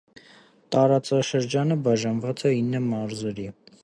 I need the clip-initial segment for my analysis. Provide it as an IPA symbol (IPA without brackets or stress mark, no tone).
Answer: t̪